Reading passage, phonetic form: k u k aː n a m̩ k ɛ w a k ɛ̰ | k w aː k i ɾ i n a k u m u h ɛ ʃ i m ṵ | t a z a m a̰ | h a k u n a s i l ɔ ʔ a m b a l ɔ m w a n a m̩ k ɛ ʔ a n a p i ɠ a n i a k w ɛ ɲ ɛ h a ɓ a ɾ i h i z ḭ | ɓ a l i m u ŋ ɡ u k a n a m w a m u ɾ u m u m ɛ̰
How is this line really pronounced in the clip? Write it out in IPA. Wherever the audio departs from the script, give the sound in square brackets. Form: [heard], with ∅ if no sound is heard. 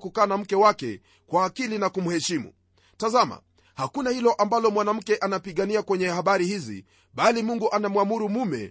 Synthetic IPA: k u k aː n a m̩ k ɛ w a k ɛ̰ | k w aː k i [l] i n a k u m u h ɛ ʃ i m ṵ | t a z a m a̰ | h a k u n a [h] i l ɔ ʔ a m b a l ɔ m w a n a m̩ k ɛ ʔ a n a p i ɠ a n i a k w ɛ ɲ ɛ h a ɓ a ɾ i h i z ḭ | ɓ a l i m u ŋ ɡ u [ʔ] a n a m w a m u ɾ u m u m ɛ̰